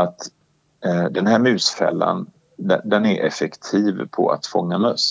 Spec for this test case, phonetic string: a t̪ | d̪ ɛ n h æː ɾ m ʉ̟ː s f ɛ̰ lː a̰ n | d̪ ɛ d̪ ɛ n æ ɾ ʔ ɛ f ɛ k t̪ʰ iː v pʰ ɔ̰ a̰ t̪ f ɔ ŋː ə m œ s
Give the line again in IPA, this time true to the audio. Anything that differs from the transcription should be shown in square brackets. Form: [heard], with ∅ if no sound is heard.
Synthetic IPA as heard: a t̪ | d̪ ɛ n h æː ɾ m ʉ̟ː s f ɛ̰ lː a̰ n | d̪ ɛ d̪ ɛ n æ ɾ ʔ ɛ f ɛ k t̪ʰ iː v pʰ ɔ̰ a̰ t̪ f ɔ ŋː [a] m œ s